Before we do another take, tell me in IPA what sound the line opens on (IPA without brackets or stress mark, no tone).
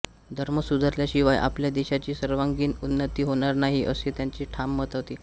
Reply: d̪ʱ